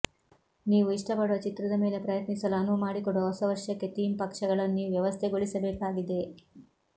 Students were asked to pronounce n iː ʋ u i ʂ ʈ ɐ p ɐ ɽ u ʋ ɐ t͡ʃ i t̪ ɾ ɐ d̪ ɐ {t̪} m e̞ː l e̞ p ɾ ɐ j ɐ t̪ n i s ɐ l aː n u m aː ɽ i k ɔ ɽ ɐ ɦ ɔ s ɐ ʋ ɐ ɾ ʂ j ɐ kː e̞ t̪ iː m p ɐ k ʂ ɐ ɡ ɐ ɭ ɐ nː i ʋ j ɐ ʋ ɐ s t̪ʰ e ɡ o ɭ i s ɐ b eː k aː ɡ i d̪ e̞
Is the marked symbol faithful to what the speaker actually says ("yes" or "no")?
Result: no